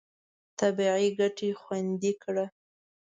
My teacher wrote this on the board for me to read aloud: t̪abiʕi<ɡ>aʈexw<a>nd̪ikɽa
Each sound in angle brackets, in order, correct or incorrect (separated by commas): correct, correct